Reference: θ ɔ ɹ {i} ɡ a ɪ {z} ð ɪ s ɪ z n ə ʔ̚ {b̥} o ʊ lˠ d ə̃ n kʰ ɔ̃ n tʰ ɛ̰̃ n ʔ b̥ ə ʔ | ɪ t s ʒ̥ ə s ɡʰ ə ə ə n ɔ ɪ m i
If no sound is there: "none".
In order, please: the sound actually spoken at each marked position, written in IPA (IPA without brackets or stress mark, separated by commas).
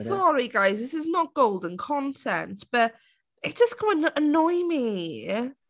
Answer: i, z, ɡ̥